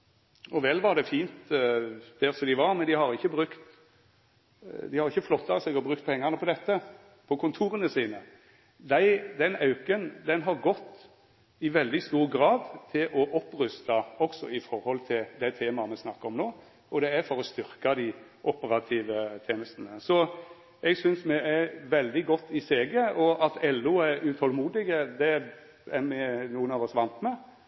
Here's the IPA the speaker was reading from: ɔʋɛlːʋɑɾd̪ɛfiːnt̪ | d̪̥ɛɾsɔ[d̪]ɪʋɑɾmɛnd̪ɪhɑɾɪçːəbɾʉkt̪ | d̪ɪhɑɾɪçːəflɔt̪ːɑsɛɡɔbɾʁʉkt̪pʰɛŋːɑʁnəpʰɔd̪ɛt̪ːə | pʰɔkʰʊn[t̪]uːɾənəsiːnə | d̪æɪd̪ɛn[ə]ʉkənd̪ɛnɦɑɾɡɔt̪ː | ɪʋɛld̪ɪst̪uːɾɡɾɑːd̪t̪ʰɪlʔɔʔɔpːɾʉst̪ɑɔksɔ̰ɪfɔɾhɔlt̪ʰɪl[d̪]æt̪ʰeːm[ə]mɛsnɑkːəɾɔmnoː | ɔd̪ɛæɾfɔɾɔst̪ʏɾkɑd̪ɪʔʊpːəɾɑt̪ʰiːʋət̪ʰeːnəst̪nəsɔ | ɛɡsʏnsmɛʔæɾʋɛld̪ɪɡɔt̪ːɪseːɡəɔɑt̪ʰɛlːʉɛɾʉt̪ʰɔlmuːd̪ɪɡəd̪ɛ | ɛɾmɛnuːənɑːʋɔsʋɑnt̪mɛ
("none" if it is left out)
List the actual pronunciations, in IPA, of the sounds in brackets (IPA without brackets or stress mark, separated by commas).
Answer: d̪, t̪ʰ, ɑ, d̪, ɑ